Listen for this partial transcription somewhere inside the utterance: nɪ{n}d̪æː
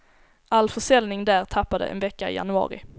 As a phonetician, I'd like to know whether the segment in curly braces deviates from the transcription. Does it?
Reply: yes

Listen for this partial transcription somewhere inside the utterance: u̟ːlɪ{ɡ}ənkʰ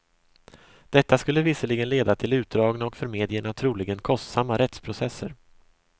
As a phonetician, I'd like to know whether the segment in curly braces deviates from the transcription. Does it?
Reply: no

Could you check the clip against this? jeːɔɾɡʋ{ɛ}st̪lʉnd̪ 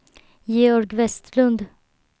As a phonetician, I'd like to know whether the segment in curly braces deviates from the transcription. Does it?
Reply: no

